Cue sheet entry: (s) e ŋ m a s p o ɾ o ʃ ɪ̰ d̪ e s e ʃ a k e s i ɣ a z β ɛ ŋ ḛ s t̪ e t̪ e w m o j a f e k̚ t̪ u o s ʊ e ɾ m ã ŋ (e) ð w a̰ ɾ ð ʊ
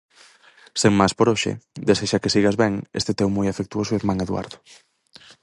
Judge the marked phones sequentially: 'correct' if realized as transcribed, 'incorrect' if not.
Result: correct, correct

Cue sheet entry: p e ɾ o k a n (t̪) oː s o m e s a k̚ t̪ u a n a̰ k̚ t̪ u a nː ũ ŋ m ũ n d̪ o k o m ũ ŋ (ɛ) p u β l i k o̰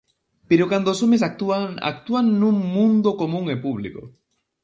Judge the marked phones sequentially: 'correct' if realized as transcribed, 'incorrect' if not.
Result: incorrect: d̪, incorrect: e

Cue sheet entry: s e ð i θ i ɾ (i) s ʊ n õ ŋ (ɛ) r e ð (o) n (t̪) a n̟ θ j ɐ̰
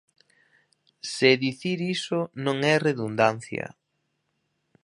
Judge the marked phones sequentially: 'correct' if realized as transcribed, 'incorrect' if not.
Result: correct, correct, incorrect: u, incorrect: d̪

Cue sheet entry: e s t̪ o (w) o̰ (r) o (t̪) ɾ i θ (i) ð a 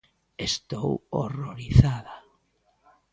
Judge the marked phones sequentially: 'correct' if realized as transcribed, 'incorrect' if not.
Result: correct, correct, incorrect: none, incorrect: a

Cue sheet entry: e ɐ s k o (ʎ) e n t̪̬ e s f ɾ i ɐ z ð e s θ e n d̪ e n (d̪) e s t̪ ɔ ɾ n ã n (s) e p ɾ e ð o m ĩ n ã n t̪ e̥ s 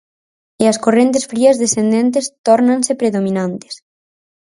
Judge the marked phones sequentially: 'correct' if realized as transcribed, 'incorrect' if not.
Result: incorrect: r, incorrect: t̪, correct

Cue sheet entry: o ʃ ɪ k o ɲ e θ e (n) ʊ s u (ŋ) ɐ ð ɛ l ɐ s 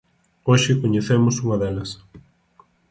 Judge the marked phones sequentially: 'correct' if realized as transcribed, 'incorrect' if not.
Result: incorrect: m, correct

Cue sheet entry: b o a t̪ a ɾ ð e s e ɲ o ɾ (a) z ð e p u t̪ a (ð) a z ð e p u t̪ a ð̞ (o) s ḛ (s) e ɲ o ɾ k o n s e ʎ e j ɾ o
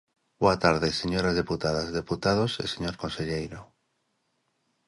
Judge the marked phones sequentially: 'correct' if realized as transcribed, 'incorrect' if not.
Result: correct, correct, correct, correct

